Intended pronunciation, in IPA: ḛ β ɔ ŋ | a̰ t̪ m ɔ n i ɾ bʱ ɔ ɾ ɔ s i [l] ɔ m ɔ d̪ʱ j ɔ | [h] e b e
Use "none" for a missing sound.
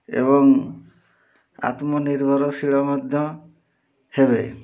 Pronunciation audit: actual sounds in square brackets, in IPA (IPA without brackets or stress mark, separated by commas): ɭ, h